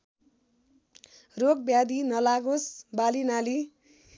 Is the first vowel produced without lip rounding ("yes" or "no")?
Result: no